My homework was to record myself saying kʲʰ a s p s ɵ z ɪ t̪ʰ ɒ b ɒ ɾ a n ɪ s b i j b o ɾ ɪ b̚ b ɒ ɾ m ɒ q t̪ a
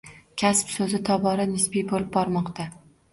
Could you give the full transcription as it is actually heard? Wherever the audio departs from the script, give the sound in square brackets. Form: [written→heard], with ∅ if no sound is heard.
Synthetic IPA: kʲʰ a s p s ɵ z ɪ t̪ʰ ɒ b ɒ ɾ a n ɪ s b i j b o [ɾ→l] ɪ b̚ b ɒ ɾ m ɒ q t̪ a